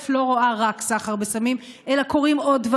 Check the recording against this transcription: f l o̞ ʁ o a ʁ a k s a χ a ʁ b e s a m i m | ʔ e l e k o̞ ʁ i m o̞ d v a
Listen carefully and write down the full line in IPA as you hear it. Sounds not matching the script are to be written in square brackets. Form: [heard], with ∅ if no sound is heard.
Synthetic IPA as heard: f l o̞ ʁ o a ʁ a k s a χ a ʁ b e s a m i m | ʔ e l [a] k o̞ ʁ i m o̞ d v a